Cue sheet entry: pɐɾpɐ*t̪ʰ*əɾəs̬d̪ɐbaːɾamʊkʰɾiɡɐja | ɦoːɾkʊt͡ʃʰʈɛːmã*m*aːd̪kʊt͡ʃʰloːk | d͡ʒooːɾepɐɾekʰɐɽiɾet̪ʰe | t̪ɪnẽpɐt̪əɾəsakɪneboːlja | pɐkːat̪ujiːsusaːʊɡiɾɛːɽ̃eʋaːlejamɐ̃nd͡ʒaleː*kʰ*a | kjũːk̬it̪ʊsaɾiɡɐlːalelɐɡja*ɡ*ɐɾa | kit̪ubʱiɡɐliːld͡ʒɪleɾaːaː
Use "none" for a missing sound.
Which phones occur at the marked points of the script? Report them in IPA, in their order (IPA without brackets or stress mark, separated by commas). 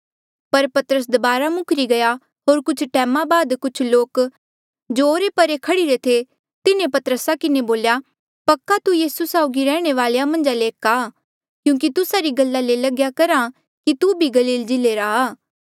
t̪, b, k, k